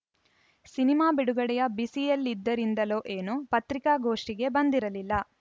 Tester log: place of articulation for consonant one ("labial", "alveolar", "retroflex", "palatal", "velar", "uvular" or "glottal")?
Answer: alveolar